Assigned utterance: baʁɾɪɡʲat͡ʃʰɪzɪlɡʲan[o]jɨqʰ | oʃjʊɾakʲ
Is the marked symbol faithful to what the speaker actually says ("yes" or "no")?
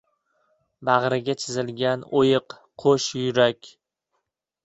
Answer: yes